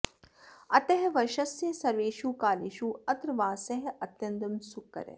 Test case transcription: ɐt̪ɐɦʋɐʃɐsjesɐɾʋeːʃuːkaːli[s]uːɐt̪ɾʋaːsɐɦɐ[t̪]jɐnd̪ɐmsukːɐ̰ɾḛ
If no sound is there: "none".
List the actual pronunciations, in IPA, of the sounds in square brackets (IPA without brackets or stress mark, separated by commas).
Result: ʃ, t̪